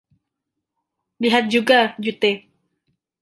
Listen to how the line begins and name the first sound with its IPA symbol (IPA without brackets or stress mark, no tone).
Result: l